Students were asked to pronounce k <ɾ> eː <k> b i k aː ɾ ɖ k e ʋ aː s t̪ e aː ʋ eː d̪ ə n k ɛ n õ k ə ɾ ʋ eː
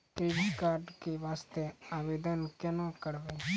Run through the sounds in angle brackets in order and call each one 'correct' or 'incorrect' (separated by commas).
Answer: correct, incorrect